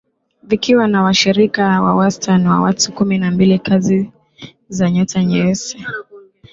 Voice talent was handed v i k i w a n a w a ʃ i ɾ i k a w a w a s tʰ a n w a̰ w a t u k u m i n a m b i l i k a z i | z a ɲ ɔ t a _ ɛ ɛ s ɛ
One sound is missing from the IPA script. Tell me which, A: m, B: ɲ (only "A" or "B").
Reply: B